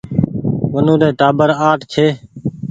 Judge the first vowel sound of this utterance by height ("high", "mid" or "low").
mid